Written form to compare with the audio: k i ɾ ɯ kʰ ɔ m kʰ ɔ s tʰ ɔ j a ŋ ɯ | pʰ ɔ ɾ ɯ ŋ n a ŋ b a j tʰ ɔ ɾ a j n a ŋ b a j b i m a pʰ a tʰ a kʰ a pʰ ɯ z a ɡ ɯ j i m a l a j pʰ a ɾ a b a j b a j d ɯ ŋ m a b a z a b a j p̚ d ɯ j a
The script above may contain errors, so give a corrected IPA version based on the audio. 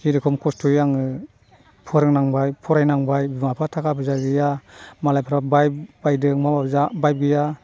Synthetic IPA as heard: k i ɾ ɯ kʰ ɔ m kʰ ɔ s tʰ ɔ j a ŋ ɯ | pʰ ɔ ɾ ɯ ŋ n a ŋ b a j pʰ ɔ ɾ a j n a ŋ b a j b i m a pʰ a tʰ a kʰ a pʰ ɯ z a ɡ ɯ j a m a l a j pʰ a ɾ a b a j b a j d ɯ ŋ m a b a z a b a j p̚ ɡ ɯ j a